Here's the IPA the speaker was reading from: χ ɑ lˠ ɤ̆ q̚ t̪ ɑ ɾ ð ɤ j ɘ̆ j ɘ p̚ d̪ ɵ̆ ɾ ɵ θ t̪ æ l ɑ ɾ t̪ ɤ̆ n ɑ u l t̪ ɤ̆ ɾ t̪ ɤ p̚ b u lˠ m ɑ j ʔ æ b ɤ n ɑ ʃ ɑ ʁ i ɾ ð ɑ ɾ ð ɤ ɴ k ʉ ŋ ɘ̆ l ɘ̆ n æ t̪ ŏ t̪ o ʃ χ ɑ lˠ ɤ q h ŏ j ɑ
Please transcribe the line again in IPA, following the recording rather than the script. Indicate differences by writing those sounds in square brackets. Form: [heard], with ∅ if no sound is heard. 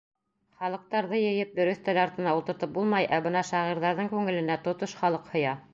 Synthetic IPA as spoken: χ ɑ lˠ ɤ̆ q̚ t̪ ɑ ɾ ð ɤ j ɘ̆ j ɘ p̚ d̪ ɵ̆ ɾ ɵ θ t̪ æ l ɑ ɾ t̪ ɤ̆ n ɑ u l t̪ ɤ̆ ɾ t̪ ɤ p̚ b u lˠ m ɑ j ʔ æ b ɤ n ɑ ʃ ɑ ʁ i ɾ ð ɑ ɾ ð ɤ ɴ k ʉ ŋ ɘ̆ l ɘ̆ n æ t̪ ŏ t̪ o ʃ χ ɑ lˠ ɤ q h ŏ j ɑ